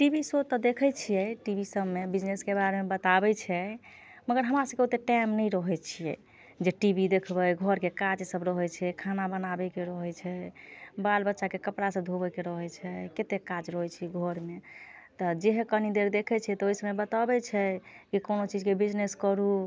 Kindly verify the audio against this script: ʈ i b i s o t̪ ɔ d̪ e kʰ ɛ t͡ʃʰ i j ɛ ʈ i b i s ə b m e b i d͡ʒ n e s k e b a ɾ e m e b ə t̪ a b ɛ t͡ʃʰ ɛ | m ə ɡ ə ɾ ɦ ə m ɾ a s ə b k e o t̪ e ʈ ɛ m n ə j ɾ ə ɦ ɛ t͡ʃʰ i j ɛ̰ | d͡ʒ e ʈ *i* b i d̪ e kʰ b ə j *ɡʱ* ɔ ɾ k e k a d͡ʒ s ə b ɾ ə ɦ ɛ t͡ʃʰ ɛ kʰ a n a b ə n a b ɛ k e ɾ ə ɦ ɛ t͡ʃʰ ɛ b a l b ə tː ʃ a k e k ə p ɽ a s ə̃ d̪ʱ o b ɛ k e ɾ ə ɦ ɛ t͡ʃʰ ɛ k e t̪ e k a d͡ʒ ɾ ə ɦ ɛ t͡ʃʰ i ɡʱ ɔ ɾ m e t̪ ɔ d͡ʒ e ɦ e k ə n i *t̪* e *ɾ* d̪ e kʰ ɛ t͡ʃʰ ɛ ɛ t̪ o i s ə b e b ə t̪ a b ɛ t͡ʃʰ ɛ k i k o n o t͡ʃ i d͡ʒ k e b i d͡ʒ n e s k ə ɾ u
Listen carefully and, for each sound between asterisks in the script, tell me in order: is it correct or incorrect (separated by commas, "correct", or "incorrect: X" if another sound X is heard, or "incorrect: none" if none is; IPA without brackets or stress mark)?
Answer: correct, correct, incorrect: d̪, correct